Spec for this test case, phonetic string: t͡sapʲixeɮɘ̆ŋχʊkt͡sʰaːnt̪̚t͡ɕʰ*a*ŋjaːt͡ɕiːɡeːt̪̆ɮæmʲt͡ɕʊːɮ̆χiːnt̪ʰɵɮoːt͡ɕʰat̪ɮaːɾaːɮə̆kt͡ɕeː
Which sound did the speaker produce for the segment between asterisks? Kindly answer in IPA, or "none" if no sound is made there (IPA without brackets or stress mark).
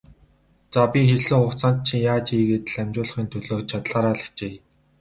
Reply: i